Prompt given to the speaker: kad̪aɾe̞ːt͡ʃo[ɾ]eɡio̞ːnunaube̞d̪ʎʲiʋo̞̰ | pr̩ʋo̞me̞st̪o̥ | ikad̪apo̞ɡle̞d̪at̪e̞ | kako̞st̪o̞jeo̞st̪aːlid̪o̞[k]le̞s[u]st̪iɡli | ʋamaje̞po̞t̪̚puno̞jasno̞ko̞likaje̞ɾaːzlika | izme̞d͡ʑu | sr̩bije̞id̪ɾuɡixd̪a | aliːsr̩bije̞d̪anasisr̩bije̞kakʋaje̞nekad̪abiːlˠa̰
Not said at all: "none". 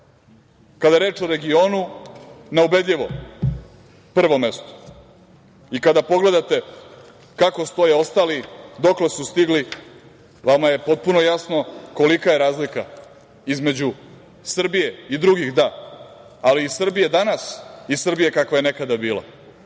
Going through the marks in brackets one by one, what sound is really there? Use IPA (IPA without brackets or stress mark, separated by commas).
ɾ, k, u